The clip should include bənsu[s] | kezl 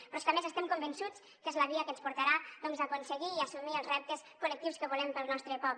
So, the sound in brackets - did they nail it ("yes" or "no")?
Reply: no